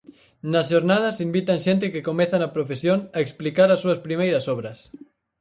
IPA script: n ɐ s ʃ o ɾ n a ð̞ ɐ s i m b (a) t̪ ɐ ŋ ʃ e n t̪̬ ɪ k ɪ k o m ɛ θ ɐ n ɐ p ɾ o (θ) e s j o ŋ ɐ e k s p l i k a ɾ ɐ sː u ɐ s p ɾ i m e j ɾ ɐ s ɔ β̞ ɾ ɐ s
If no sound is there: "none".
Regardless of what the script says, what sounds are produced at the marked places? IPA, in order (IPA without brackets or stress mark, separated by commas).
i, f